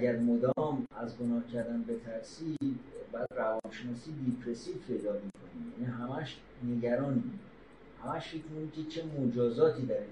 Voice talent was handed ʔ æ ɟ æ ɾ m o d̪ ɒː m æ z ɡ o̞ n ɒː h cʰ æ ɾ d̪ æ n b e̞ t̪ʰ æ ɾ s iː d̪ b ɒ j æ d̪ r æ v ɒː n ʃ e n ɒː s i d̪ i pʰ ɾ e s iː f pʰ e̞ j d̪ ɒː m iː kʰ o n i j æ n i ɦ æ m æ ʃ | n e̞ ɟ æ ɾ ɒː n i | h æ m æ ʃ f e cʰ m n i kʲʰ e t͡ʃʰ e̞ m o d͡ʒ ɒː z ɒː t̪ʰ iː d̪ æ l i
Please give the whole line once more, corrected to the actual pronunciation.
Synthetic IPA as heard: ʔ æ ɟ æ ɾ m o d̪ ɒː m æ z ɡ o̞ n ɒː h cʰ æ ɾ d̪ æ n b e̞ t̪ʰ æ ɾ s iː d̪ b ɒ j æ d̪ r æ v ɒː n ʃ e n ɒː s i d̪ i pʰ ɾ e s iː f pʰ e̞ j d̪ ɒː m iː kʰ o n i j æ n i ɦ æ m æ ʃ | n e̞ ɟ æ ɾ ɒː n i | h æ m æ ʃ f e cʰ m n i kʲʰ e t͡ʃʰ e̞ m o d͡ʒ ɒː z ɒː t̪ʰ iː d̪ æ ɾ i